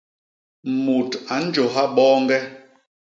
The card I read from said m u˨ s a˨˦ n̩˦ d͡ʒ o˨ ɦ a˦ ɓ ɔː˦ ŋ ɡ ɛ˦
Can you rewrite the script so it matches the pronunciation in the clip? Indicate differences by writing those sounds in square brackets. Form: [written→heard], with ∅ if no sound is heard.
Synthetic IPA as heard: m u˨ [s→t] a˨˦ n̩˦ d͡ʒ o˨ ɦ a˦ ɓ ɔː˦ ŋ ɡ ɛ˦